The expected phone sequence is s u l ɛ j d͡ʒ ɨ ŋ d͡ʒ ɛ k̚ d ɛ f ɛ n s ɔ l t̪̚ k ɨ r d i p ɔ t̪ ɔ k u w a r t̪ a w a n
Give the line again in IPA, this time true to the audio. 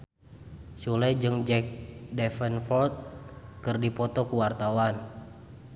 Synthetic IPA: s u l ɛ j d͡ʒ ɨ ŋ d͡ʒ ɛ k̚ d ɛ f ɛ n f ɔ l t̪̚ k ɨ r d i p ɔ t̪ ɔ k u w a r t̪ a w a n